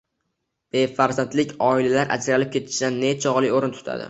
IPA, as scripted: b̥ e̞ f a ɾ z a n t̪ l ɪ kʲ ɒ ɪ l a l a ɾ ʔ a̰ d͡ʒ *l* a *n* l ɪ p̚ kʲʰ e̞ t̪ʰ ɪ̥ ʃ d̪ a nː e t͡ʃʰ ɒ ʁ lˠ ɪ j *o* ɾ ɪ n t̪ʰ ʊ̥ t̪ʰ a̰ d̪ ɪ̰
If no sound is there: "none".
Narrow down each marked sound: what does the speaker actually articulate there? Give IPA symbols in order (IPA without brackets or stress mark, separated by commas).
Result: ɾ, none, o